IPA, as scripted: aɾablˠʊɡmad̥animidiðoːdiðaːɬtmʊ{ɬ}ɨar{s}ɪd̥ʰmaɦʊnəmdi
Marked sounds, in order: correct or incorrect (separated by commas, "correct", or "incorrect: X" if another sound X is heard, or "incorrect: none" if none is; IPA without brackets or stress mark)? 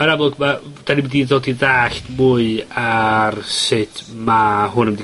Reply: incorrect: none, correct